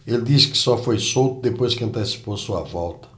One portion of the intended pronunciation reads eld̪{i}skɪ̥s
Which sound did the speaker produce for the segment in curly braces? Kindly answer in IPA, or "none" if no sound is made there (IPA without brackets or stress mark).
i